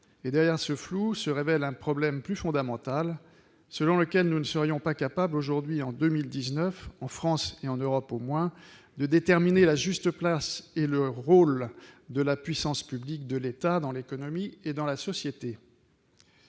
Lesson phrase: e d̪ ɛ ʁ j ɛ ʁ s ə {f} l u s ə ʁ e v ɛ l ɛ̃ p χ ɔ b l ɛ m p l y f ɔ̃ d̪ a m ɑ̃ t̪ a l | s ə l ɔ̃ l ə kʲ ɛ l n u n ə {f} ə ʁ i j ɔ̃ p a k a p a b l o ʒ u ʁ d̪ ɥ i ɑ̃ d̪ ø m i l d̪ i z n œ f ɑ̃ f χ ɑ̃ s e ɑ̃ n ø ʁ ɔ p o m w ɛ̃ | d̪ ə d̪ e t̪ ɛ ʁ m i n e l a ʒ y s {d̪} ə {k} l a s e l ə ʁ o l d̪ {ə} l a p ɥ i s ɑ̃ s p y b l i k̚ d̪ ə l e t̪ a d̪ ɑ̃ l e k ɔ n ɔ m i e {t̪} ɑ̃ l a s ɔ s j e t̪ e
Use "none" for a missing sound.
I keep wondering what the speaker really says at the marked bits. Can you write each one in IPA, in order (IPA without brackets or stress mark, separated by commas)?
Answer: f, s, t̪, p, ə, d̪